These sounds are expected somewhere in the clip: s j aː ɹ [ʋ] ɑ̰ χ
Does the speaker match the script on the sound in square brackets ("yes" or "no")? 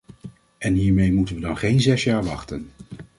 yes